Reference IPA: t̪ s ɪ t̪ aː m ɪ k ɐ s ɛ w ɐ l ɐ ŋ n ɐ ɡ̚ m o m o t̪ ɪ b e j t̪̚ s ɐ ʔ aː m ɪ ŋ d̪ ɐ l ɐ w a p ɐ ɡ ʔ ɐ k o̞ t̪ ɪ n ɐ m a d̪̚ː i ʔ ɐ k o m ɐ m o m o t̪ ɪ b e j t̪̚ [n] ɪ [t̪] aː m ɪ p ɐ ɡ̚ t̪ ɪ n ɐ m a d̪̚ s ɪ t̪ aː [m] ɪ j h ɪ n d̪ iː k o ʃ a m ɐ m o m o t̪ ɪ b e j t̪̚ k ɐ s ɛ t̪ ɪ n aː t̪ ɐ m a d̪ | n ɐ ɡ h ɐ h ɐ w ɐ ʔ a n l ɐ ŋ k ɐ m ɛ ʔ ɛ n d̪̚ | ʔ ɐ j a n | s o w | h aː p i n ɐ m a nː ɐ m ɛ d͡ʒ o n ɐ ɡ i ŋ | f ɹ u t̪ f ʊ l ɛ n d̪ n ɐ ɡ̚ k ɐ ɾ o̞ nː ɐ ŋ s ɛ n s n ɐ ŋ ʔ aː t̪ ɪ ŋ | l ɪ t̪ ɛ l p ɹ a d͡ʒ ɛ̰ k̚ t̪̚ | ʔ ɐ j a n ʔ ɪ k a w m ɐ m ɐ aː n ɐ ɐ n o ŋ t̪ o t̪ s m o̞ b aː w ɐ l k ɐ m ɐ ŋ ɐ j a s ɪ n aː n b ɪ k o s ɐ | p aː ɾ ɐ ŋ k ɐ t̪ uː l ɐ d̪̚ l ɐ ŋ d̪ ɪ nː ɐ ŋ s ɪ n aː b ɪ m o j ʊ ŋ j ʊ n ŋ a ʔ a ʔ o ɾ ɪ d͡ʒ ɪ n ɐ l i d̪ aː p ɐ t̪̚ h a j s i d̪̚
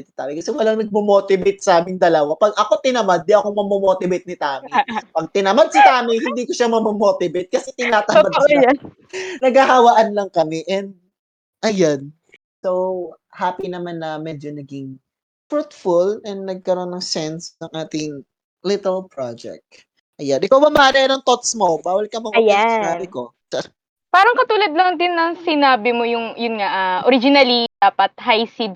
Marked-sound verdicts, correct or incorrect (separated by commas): correct, correct, correct